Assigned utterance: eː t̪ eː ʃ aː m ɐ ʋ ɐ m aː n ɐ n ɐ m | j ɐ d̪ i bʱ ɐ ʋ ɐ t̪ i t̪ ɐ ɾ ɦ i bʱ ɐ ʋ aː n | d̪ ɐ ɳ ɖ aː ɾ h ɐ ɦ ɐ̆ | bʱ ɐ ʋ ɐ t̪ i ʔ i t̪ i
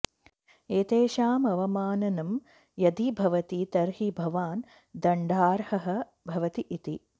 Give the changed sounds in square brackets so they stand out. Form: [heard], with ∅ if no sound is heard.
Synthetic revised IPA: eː t̪ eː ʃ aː m ɐ ʋ ɐ m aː n ɐ n ɐ m | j ɐ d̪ i bʱ ɐ ʋ ɐ t̪ i t̪ ɐ ɾ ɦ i bʱ ɐ ʋ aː n | d̪ ɐ ɳ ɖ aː ɾ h ɐ ɦ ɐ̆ | bʱ ɐ ʋ ɐ t̪ i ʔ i t̪ i